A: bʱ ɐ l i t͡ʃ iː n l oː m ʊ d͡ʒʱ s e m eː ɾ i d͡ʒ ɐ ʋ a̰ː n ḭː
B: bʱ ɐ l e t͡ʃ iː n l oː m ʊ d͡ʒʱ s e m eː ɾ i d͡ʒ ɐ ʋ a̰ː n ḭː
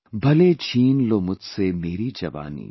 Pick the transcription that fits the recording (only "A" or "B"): B